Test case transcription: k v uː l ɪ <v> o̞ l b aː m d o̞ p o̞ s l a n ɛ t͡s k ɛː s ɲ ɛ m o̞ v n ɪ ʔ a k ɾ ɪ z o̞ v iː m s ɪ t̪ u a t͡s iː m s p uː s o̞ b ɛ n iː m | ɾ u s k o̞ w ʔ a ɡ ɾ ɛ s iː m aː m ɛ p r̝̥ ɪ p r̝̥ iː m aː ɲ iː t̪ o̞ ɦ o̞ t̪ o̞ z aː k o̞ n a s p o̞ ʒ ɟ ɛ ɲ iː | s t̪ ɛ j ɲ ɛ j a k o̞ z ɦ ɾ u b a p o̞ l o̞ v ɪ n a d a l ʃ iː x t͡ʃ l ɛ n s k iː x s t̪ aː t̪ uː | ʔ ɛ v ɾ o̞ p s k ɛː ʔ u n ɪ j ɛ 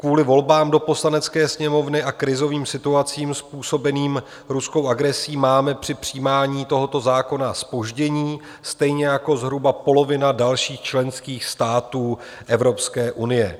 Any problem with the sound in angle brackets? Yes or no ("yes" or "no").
no